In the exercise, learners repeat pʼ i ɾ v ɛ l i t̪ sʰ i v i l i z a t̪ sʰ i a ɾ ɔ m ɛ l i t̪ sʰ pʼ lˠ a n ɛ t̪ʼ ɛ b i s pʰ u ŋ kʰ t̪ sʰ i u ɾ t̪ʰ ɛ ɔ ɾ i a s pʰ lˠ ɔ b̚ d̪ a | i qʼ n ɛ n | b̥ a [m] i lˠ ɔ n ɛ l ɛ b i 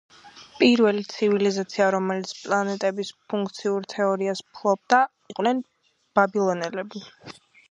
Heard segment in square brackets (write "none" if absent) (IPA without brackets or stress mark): b